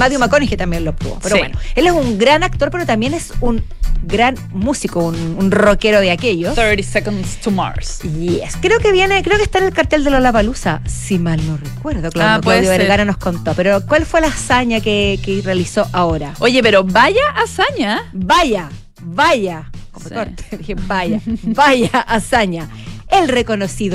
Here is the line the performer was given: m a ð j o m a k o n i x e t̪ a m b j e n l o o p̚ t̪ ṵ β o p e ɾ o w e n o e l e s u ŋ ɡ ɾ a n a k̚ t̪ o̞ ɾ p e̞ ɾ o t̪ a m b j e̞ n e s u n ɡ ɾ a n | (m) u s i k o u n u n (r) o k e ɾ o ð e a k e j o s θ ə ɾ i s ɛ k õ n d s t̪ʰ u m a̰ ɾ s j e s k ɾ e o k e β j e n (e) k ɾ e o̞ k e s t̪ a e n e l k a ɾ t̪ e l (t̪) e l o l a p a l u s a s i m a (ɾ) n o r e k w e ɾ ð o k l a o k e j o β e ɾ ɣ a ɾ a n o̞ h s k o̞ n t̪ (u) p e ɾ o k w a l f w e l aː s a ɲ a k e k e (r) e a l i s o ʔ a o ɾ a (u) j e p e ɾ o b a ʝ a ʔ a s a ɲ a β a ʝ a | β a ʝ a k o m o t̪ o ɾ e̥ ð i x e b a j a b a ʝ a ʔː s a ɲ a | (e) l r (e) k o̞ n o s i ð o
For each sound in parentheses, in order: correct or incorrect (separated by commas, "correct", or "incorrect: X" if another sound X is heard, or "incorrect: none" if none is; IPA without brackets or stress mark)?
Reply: correct, correct, correct, incorrect: d̪, incorrect: l, incorrect: o, correct, incorrect: o, correct, correct